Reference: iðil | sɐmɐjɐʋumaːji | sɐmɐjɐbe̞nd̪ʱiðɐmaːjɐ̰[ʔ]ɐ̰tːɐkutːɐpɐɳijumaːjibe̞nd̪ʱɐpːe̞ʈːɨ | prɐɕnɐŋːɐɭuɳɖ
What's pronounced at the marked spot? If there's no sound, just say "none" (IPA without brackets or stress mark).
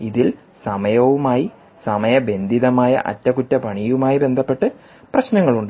ʔ